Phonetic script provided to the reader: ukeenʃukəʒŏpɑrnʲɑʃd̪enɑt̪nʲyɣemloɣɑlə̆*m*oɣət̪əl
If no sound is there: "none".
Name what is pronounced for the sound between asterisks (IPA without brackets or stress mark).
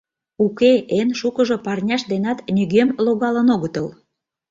n